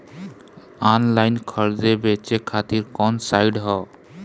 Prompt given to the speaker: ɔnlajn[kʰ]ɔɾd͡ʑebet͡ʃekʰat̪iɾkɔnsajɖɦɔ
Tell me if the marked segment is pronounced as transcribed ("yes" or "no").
yes